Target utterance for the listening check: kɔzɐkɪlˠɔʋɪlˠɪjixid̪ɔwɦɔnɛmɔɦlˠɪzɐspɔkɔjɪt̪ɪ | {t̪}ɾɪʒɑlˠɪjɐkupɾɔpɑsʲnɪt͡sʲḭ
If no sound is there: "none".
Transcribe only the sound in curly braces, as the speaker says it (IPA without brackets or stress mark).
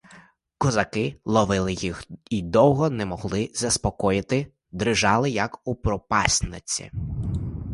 d̪